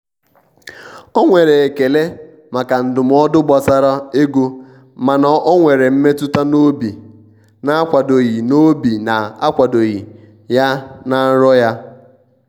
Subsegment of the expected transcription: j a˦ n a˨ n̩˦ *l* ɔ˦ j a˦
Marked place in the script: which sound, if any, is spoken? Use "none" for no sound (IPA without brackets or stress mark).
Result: ɾ